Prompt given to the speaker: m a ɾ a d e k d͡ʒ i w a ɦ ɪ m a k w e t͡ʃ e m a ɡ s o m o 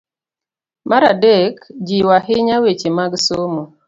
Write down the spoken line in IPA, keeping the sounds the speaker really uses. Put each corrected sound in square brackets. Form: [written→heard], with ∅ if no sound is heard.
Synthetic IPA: m a ɾ a d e k d͡ʒ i w a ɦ ɪ [m→ɲ] a [k→∅] w e t͡ʃ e m a ɡ s o m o